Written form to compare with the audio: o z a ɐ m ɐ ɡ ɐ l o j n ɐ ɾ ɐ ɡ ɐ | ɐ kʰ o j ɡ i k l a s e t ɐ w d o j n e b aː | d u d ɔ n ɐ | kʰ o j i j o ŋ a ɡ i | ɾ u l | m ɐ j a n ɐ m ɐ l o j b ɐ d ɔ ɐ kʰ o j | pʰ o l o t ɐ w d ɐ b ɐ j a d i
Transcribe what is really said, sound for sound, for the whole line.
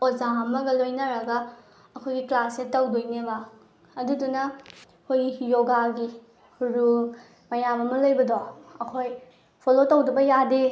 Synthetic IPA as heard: o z a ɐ m ɐ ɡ ɐ l o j n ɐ ɾ ɐ ɡ ɐ | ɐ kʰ o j ɡ i k l a s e t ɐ w d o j n e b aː | d u d u n ɐ | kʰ o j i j o ɡ a ɡ i | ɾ u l | m ɐ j a m ɐ m ɐ l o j b ɐ d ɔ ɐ kʰ o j | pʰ o l o t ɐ w d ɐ b ɐ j a d e